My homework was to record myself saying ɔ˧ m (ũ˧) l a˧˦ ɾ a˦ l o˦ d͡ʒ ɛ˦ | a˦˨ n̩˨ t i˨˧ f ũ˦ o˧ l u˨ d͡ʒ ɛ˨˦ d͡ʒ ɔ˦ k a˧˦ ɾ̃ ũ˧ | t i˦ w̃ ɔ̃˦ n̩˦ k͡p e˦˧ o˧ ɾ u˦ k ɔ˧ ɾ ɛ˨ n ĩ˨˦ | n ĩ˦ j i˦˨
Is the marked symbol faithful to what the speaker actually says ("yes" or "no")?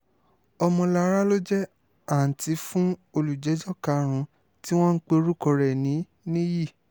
no